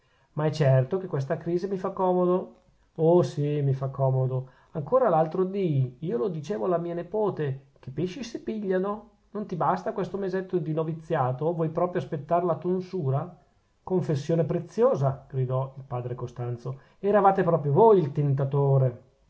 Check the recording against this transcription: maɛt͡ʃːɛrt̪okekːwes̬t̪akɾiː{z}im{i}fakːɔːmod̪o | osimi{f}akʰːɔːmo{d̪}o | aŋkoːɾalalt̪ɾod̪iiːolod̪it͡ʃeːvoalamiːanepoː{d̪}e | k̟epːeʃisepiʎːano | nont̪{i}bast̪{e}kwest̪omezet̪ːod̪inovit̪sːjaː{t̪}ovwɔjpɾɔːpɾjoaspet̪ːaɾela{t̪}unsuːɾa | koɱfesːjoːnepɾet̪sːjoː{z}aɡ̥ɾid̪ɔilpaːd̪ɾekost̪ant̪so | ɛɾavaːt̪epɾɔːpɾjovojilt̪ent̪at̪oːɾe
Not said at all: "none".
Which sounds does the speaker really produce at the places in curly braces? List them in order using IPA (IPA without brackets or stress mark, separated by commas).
z, i, f, d̪, t̪, i, a, t̪, t̪, z